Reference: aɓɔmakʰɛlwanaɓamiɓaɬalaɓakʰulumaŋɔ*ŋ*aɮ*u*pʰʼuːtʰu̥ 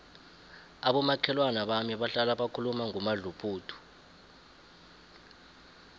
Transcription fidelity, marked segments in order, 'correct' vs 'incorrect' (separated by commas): incorrect, correct